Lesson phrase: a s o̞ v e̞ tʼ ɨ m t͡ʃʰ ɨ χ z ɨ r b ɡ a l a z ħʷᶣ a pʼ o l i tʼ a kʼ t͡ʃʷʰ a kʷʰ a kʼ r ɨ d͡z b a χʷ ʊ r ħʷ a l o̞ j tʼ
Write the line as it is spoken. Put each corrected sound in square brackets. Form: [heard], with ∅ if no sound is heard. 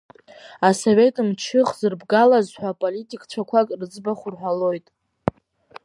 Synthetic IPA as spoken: a s o̞ v e̞ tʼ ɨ m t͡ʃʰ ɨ χ z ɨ r b ɡ a l a z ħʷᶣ a pʼ o l i tʼ [i] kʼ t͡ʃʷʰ a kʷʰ a kʼ r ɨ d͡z b a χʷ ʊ r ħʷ a l o̞ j tʼ